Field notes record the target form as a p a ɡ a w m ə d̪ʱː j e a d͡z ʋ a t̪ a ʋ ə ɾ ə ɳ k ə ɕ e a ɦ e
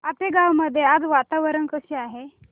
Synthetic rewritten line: a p e ɡ a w m ə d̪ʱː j e a d͡z ʋ a t̪ a ʋ ə ɾ ə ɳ k ə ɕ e a ɦ e